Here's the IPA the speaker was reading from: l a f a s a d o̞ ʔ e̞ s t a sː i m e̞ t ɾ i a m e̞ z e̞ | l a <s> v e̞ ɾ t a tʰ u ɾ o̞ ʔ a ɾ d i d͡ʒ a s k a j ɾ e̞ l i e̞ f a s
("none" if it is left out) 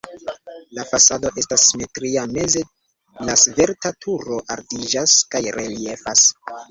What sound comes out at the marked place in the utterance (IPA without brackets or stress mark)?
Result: s